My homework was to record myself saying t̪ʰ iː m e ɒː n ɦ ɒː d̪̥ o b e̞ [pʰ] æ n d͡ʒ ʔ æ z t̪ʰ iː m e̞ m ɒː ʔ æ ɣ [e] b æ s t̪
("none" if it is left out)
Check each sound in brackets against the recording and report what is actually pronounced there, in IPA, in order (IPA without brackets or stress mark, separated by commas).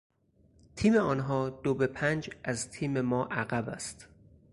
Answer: pʰ, æ